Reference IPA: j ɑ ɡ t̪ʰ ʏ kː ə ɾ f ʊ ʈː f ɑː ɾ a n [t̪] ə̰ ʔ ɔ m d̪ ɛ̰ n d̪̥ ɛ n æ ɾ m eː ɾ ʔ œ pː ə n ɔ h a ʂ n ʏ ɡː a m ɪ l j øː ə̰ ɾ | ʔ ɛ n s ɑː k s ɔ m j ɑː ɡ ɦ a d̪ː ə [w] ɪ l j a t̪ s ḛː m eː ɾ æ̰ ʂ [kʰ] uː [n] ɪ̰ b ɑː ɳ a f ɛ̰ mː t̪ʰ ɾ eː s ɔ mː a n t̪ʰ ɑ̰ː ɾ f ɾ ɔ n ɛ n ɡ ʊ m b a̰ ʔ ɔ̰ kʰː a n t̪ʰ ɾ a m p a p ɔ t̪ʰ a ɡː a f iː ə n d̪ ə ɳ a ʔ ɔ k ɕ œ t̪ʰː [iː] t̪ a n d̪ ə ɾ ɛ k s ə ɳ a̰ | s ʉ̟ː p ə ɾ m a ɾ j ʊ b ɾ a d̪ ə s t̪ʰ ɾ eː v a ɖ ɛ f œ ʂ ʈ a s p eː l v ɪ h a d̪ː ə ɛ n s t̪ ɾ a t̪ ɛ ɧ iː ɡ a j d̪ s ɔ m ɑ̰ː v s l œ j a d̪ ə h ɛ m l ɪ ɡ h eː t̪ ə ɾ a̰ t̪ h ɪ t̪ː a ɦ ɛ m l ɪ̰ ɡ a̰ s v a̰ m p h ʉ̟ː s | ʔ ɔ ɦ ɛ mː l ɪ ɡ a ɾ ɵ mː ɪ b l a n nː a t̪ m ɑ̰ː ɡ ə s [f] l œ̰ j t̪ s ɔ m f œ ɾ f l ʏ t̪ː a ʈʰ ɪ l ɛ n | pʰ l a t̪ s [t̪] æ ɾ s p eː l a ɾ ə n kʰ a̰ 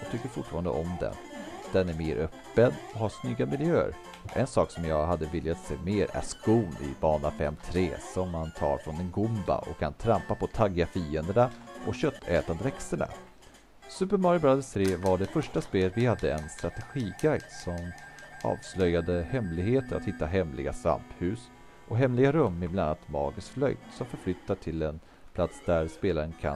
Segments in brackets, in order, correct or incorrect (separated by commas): incorrect, incorrect, incorrect, correct, incorrect, correct, incorrect